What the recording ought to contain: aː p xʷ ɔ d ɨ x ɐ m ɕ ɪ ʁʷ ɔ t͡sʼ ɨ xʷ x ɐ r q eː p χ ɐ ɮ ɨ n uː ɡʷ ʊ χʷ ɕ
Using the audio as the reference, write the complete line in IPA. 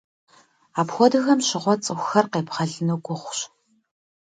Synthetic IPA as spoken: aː p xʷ ɔ d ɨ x ɐ m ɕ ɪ ʁʷ ɔ t͡sʼ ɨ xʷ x ɐ r q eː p χ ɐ ɮ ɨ n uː ɡʷ ʊ χʷ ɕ